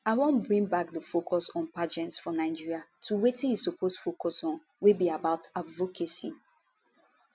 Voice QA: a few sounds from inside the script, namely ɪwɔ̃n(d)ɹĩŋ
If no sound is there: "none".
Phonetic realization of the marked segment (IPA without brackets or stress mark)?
b